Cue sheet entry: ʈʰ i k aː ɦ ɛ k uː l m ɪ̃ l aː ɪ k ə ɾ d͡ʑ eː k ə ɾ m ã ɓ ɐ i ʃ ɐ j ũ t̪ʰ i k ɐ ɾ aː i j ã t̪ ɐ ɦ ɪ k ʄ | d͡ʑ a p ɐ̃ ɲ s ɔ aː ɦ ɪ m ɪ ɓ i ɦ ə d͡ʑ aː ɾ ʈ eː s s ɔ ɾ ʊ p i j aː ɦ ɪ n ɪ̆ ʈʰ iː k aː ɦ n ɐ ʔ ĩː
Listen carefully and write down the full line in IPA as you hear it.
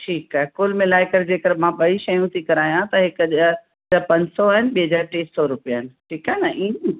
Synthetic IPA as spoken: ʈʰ iː k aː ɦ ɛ k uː l m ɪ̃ l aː ɪ k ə ɾ d͡ʑ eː k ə ɾ m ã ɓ ɐ i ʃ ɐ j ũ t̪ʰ i k ɐ ɾ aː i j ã t̪ ɐ ɦ ɪ k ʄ | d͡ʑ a p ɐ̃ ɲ s ɔ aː ɦ ɪ n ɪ ɓ i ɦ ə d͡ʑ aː ɾ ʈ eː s s ɔ ɾ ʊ p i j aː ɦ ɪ n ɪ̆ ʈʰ iː k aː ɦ n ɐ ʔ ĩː